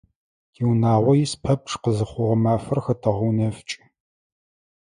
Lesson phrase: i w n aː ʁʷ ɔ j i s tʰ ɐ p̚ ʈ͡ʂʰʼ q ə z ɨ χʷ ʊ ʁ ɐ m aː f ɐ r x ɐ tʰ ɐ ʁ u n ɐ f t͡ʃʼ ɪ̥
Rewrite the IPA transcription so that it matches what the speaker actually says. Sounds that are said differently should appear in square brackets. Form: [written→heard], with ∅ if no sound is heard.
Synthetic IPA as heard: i w n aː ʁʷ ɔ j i s [tʰ→pʰ] ɐ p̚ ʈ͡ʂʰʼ q ə z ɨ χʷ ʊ ʁ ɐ m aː f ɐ r x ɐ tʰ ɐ ʁ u n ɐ f t͡ʃʼ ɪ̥